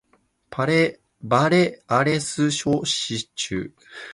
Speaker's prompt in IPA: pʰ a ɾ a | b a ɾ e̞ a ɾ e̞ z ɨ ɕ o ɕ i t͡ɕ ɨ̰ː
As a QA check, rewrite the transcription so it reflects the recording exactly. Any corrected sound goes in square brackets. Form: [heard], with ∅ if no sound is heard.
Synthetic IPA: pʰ a ɾ [e] | b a ɾ e̞ a ɾ e̞ [s] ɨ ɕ o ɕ i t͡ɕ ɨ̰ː